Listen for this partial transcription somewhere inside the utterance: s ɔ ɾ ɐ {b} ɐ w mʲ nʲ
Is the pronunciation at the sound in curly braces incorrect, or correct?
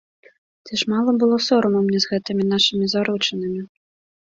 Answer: incorrect